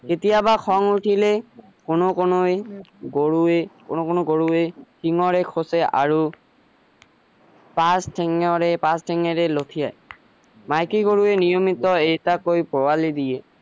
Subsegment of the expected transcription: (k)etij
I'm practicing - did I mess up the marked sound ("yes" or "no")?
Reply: no